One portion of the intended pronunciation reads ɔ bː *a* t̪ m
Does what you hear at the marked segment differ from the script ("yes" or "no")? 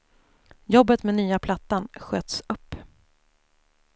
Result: yes